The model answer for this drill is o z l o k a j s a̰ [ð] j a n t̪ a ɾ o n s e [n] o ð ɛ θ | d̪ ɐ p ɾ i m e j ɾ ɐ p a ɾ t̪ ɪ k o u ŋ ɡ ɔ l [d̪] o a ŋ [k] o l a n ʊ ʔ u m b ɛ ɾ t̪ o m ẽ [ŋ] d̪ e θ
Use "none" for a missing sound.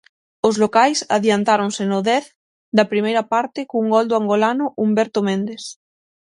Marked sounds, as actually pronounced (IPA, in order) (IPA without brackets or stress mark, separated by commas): ð, n, d̪, ɡ, n